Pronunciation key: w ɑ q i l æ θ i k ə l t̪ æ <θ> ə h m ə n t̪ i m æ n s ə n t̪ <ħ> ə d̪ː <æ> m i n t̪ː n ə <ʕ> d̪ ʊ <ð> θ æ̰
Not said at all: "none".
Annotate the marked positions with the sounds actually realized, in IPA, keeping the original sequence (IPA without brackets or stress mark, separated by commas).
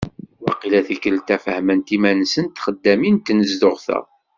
f, χ, æ, z, ʁ